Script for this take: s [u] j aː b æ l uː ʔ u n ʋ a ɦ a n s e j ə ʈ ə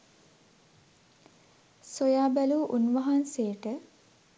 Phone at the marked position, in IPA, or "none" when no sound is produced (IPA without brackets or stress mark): o